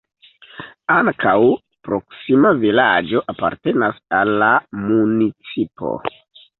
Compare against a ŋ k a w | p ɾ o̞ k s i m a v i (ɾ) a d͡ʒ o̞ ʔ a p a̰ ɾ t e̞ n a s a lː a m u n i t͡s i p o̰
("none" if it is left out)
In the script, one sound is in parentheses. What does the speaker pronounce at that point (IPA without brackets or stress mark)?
l